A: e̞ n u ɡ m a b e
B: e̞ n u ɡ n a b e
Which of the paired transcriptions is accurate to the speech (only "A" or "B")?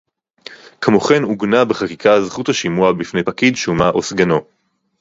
B